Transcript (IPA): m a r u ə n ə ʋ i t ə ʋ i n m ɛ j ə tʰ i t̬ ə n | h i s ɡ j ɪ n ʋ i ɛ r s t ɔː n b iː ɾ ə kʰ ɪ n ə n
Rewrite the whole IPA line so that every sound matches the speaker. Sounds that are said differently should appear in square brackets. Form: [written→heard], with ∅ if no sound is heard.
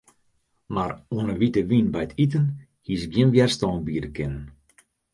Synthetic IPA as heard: m a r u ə n ə ʋ i t ə ʋ i n [m→b] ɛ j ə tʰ i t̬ ə n | h i s ɡ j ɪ n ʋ [i→j] ɛ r s t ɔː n b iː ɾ ə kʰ ɪ n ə n